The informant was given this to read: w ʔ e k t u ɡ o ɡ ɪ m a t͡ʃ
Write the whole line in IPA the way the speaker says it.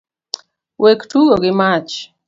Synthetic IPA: w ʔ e k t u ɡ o ɡ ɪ m a t͡ʃ